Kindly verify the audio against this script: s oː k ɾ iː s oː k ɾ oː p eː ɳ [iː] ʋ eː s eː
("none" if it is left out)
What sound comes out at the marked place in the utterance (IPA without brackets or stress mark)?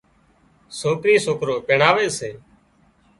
aː